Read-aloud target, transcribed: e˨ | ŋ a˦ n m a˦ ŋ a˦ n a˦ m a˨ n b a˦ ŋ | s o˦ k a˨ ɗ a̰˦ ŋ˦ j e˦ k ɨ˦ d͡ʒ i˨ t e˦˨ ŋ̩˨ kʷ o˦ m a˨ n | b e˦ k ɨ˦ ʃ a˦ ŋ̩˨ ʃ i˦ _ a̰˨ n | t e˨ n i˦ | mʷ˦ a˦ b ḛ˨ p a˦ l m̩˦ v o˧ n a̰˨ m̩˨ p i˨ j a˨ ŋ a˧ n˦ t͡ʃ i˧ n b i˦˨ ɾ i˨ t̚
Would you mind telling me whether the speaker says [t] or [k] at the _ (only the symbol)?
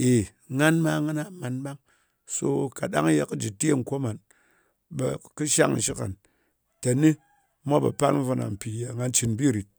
k